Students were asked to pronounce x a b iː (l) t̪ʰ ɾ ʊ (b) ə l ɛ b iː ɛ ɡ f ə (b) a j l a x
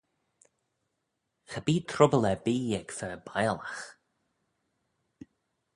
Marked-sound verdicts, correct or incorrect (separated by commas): incorrect, correct, correct